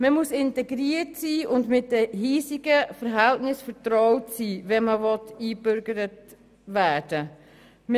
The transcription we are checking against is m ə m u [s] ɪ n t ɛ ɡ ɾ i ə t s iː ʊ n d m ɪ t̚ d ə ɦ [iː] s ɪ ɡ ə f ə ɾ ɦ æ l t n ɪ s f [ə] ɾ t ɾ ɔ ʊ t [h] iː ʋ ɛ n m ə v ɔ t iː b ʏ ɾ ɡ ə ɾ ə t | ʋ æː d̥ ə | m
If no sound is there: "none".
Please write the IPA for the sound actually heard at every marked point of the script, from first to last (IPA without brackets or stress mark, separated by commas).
s, iː, ə, s